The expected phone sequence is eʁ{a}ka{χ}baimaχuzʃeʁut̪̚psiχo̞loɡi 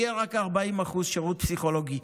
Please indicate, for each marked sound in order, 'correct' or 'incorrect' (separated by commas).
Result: correct, incorrect